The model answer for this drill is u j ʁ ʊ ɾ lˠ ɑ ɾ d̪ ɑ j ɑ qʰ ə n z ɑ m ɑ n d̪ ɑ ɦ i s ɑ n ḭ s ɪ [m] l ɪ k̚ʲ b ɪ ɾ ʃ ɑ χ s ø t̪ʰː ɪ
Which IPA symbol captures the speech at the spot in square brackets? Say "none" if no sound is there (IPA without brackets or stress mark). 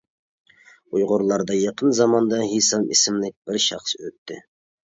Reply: m